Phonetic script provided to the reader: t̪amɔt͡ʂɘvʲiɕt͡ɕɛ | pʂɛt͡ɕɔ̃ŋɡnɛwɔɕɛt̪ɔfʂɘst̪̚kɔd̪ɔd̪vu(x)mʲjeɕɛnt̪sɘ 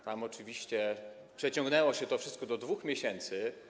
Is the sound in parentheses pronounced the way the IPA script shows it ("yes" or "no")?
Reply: yes